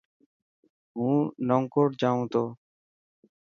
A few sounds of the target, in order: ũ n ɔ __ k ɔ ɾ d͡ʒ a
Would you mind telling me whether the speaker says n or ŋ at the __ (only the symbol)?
ŋ